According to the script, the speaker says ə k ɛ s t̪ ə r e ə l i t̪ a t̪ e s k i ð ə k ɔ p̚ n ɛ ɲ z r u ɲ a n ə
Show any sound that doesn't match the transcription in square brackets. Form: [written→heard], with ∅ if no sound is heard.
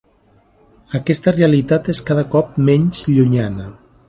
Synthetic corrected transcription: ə k ɛ s t̪ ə r e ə l i t̪ a t̪ e s k [i→a] ð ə k ɔ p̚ [n→m] ɛ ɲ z [r→ʎ] u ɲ a n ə